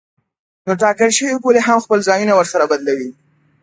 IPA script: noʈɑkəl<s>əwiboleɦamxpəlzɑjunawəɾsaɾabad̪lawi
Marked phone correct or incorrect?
incorrect